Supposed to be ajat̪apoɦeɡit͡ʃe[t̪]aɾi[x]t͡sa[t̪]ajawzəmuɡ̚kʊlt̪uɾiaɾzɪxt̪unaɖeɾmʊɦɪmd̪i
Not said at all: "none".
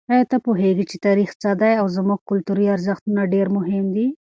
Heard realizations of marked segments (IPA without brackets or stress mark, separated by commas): t̪, x, d̪